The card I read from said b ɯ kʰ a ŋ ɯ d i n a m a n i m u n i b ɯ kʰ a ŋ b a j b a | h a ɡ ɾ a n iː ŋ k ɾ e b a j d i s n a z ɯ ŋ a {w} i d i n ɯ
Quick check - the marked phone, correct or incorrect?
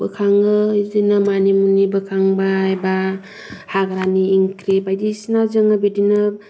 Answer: incorrect: b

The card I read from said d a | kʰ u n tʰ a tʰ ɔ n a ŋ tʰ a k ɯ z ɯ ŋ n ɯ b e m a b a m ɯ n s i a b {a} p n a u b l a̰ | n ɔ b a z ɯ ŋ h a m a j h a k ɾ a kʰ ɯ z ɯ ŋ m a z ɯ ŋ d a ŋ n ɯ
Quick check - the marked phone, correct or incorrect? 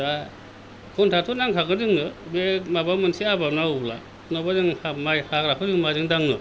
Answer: correct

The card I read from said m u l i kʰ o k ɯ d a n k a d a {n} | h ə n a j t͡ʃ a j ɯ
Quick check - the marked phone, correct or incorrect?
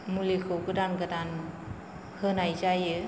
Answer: correct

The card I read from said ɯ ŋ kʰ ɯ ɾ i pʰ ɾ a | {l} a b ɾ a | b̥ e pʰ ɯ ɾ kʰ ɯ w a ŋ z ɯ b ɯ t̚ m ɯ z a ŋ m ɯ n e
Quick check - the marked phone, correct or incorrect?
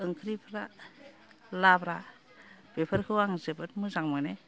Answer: correct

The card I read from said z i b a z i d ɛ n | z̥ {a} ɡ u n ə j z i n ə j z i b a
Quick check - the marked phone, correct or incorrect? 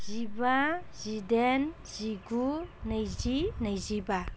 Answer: incorrect: i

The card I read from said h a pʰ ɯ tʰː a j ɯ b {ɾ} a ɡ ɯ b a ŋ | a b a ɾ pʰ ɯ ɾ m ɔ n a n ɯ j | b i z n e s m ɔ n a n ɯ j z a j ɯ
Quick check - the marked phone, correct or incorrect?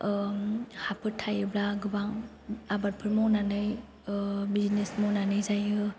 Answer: incorrect: l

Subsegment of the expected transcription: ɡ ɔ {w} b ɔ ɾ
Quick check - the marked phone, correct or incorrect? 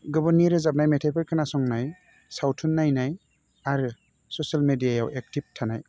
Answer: incorrect: none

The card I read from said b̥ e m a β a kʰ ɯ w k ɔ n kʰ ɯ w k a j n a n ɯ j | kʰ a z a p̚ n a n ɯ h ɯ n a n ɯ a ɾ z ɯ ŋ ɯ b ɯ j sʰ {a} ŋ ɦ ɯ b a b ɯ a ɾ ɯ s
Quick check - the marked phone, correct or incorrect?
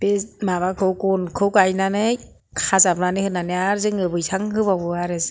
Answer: correct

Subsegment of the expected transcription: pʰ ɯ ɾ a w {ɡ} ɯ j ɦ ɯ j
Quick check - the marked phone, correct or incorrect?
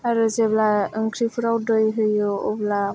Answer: incorrect: d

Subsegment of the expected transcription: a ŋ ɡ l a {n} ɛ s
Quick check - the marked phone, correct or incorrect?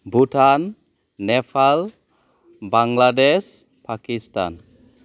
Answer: incorrect: d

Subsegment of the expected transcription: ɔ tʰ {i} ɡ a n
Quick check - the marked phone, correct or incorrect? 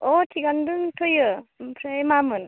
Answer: correct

